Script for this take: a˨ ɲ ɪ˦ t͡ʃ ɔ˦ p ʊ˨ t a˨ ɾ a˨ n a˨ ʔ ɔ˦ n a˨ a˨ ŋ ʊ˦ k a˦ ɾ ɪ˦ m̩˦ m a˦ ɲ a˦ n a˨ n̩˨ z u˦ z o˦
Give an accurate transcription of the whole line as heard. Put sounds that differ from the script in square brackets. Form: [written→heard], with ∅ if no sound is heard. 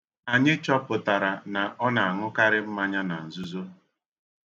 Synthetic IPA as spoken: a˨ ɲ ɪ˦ t͡ʃ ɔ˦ p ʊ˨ t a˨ ɾ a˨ n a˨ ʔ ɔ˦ n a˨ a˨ ŋ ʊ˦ k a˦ ɾ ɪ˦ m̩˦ m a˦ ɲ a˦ n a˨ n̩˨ z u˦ z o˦